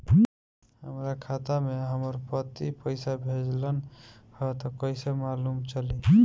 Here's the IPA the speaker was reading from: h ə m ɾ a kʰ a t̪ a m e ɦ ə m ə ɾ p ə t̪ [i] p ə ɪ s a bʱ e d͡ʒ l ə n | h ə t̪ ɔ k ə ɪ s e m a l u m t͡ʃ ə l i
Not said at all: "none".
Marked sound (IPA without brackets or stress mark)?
i